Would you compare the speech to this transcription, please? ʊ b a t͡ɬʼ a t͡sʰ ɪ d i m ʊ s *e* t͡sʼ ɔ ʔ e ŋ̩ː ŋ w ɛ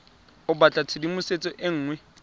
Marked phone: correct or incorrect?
correct